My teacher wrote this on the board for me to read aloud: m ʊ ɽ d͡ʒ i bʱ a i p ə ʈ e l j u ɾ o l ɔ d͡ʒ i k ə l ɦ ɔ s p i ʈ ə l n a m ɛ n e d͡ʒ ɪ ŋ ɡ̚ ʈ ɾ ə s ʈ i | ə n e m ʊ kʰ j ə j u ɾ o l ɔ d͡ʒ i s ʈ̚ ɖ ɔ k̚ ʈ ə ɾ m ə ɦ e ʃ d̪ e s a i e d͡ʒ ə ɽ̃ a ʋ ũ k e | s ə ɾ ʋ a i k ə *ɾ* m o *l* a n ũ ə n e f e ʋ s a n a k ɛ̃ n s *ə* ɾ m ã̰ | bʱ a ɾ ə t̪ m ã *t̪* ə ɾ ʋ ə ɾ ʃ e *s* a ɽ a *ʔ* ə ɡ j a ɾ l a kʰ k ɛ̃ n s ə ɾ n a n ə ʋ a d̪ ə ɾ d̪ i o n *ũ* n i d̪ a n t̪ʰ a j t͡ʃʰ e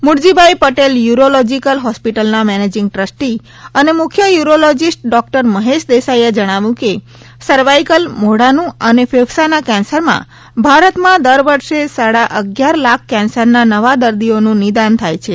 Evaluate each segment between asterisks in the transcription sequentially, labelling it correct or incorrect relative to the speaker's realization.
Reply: incorrect, incorrect, correct, incorrect, correct, correct, correct

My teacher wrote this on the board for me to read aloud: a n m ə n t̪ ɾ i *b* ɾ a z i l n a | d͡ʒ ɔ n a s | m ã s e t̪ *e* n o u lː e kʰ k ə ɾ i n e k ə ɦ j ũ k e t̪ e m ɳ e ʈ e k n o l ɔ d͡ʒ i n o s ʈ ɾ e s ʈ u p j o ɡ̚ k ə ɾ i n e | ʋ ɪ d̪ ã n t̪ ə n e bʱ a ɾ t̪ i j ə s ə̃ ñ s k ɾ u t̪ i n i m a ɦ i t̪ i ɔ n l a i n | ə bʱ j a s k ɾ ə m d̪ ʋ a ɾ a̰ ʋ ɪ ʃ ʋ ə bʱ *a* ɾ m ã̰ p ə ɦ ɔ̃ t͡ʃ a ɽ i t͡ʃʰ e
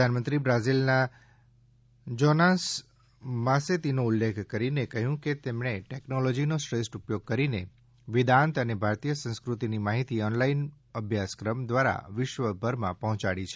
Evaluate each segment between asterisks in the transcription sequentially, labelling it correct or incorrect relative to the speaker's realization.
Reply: correct, incorrect, incorrect

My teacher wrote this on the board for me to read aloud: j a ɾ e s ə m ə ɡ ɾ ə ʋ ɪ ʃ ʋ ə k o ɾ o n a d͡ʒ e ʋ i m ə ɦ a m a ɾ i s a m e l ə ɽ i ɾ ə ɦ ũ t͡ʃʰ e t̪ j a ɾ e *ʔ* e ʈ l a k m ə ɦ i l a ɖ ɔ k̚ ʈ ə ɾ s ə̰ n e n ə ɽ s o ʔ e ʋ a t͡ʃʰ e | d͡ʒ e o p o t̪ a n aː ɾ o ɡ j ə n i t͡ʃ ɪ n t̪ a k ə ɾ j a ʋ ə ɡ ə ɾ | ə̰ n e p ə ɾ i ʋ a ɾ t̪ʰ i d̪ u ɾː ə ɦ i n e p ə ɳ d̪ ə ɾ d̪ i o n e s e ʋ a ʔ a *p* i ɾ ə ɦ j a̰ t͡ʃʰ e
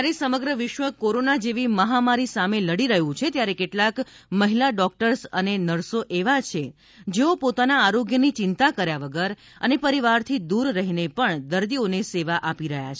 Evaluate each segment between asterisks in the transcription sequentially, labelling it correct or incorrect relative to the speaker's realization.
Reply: incorrect, correct

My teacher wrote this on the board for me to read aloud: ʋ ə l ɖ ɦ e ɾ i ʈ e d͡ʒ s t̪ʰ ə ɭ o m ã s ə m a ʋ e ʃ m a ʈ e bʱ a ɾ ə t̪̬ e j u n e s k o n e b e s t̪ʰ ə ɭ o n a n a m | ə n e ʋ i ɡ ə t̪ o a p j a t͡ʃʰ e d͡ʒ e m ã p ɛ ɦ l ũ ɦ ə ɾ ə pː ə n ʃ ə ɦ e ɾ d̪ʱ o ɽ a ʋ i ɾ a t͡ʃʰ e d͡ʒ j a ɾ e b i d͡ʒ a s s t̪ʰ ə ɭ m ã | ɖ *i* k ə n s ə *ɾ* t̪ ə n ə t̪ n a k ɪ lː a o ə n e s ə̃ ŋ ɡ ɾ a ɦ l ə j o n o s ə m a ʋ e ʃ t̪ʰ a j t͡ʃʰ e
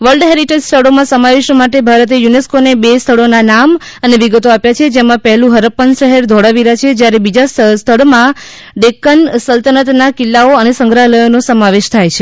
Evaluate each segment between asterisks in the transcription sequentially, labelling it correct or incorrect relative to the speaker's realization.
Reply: incorrect, incorrect

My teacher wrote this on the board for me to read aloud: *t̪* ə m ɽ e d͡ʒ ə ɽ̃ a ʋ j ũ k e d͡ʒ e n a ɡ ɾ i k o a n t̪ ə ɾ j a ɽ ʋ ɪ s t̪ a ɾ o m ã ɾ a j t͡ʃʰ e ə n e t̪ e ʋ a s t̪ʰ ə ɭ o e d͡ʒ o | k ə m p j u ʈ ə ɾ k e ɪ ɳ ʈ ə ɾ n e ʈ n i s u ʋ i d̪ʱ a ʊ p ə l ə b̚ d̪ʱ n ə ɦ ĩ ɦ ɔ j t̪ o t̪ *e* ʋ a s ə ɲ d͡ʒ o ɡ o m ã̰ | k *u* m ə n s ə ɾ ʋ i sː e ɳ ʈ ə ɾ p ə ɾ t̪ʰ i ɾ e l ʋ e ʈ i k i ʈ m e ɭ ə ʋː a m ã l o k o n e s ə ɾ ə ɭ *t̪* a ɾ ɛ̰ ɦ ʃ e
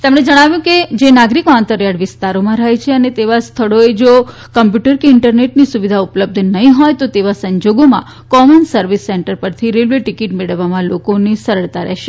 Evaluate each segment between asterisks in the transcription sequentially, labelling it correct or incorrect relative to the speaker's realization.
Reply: correct, correct, incorrect, correct

